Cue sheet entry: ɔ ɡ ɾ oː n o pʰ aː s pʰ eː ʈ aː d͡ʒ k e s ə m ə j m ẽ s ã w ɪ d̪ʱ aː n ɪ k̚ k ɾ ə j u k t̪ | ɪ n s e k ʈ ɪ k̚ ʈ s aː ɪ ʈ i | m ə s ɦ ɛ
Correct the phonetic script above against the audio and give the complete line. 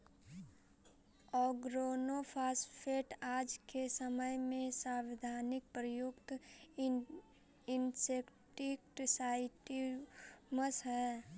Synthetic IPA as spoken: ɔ ɡ ɾ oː n o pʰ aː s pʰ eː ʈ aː d͡ʒ k e s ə m ə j m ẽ s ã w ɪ d̪ʱ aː n ɪ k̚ p ɾ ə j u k t̪ | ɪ n s e k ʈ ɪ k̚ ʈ s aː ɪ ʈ i | m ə s ɦ ɛ